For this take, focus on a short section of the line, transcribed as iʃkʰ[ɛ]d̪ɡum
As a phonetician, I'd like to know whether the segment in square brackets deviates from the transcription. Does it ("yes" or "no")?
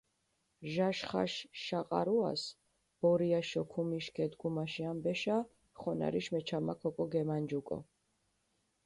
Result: no